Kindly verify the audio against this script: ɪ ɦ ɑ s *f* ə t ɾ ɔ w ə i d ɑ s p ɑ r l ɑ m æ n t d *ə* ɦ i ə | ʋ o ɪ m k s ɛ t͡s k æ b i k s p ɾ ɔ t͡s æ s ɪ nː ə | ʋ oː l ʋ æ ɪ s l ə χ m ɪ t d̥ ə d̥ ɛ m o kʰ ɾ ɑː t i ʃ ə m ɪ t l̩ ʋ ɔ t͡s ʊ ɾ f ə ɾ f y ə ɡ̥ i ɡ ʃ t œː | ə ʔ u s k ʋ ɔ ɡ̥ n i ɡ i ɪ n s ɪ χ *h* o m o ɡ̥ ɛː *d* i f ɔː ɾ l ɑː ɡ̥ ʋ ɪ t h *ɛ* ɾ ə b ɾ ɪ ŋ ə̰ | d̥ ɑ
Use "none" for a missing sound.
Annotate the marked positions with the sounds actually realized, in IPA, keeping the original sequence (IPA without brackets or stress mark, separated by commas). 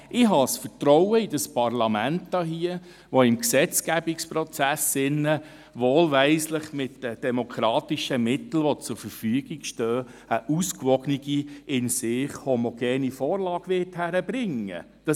f, ɑ, h, n, æ